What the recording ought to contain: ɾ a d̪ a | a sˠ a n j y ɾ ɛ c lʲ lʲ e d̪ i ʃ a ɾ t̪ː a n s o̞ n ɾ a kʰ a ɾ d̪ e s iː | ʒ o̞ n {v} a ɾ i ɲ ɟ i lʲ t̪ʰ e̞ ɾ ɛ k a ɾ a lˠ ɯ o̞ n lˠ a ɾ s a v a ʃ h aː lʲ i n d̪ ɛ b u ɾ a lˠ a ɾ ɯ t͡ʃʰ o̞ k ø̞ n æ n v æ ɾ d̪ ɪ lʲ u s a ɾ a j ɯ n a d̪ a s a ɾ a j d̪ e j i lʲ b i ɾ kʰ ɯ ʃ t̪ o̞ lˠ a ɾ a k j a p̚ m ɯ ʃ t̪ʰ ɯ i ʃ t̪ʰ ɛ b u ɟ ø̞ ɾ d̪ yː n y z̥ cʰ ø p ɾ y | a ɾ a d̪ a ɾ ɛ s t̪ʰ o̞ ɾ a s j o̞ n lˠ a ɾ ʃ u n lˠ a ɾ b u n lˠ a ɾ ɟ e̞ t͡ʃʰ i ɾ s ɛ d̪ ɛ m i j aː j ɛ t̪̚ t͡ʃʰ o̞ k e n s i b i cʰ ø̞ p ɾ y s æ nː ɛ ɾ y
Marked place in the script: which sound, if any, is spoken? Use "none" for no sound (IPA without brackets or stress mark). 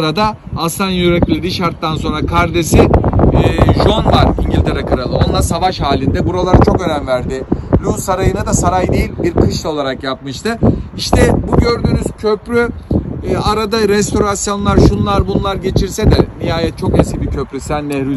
v